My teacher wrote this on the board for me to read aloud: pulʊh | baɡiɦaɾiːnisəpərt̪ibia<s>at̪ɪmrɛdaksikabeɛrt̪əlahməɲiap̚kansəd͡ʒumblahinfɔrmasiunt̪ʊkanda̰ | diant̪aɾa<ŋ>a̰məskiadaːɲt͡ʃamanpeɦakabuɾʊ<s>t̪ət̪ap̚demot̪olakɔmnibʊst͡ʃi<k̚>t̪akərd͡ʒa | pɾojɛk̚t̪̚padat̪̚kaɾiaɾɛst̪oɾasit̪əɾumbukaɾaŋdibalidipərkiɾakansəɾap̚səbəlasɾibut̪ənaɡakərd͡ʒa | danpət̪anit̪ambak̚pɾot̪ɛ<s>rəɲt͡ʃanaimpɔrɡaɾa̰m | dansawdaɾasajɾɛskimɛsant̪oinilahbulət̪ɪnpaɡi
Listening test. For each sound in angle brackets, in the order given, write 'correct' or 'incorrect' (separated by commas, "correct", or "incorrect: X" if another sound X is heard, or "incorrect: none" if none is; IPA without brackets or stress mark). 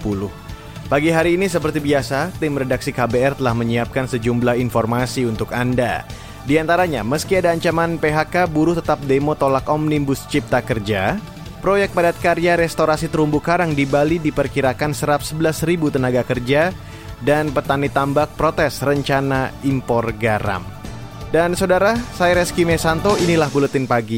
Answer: correct, incorrect: ɲ, incorrect: h, incorrect: p̚, correct